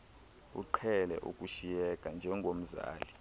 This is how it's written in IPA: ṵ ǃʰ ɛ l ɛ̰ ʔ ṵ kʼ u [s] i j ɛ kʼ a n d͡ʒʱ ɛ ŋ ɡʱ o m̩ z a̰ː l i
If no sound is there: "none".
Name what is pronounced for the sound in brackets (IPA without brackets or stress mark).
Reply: ʃ